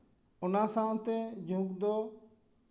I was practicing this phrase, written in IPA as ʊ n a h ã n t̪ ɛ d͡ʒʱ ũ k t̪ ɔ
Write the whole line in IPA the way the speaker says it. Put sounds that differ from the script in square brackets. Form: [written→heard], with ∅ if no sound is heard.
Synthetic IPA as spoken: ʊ n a [h→s] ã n t̪ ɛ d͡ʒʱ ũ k [t̪→d̪] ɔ